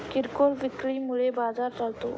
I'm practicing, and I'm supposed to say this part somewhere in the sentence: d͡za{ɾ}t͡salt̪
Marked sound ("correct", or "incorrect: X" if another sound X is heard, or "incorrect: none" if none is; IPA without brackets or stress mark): correct